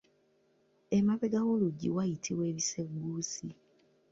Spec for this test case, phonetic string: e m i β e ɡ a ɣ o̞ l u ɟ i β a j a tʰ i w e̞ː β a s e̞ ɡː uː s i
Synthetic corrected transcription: e m a β e ɡ a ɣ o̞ l u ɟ i w a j i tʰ i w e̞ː β i s e̞ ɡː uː s i